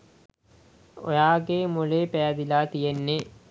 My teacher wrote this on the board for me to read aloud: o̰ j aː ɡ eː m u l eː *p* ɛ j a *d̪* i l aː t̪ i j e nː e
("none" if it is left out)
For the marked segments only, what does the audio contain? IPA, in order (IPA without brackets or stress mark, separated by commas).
p, d̪